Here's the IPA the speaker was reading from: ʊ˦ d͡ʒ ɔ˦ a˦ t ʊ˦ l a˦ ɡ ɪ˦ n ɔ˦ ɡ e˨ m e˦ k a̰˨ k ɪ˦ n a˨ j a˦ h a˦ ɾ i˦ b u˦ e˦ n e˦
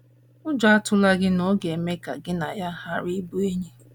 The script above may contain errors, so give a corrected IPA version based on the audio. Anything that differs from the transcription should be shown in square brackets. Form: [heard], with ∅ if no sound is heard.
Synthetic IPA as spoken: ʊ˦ d͡ʒ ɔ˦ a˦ t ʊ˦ l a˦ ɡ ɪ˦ n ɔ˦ ɡ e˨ m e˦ k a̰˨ [ɡ] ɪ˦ n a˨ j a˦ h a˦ ɾ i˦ b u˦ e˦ [ɲ] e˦